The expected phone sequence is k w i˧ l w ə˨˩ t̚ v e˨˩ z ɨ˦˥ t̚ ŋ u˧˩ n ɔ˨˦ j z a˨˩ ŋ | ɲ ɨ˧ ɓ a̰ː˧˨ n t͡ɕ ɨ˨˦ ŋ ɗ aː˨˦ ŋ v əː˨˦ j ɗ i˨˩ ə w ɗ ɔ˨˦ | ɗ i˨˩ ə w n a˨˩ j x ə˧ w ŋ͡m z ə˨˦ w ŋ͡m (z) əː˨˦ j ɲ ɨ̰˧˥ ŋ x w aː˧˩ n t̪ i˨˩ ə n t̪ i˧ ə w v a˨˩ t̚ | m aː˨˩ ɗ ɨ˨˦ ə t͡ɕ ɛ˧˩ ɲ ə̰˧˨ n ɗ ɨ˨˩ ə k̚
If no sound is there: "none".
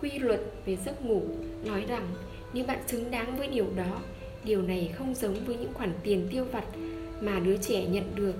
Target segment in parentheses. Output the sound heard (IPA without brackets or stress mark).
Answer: v